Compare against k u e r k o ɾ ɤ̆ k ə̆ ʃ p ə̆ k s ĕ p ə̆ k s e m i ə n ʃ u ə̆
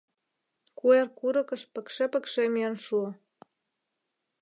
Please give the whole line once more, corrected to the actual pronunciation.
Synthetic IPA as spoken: k u e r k u ɾ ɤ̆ k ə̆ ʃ p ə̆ k ʃ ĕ p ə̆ k ʃ e m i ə n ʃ u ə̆